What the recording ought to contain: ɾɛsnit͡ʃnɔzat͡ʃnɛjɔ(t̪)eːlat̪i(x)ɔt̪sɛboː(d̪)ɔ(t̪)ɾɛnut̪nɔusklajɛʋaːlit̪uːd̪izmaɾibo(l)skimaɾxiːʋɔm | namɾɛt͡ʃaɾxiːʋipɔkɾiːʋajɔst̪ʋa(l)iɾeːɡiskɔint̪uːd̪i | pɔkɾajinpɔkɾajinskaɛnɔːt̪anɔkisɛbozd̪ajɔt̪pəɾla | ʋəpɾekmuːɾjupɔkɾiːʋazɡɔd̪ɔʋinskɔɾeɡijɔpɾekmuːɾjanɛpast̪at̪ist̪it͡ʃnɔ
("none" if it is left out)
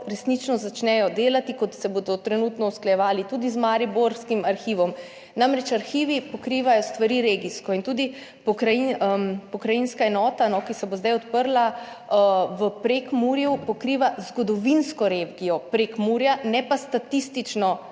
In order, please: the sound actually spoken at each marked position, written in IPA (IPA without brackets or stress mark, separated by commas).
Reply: d̪, k, d̪, t̪, ɾ, ɾ